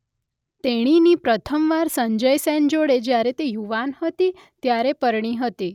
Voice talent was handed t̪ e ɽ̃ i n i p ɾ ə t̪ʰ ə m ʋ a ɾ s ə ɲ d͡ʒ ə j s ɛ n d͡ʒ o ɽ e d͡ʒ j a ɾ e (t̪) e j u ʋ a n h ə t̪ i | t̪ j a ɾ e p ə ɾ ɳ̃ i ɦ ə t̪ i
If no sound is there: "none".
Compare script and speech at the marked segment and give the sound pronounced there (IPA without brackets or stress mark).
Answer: t̪